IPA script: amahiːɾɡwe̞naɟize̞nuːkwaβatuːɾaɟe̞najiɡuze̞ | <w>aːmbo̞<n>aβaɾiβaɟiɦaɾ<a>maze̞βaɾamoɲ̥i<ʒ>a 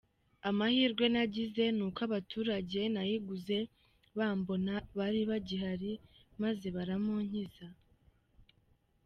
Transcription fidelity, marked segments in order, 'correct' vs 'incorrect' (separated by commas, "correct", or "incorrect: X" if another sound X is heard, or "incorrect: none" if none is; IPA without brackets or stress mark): incorrect: β, correct, incorrect: i, incorrect: z